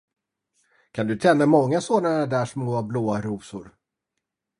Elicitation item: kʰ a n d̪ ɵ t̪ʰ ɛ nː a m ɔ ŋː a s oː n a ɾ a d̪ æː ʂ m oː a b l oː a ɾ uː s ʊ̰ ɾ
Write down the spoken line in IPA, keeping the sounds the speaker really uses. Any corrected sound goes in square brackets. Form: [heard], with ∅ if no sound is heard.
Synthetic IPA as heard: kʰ a n d̪ ɵ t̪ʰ ɛ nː a m ɔ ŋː a s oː n a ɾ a d̪ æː ʂ m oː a b l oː a ɾ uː s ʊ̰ ɾ